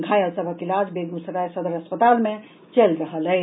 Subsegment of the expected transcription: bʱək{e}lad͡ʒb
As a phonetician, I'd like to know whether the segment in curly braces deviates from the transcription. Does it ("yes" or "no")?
yes